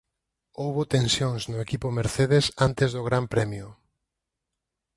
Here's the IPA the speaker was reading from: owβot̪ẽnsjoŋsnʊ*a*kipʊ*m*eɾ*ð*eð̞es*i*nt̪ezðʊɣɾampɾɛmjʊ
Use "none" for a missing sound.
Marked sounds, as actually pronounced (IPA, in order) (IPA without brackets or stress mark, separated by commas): e, m, θ, a